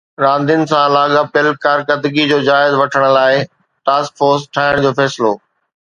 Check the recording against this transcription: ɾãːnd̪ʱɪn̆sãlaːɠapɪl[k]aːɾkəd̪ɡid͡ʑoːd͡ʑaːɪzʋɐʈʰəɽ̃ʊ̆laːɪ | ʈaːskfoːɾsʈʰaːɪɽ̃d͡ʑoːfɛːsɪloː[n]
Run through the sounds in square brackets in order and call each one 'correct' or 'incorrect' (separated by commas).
correct, incorrect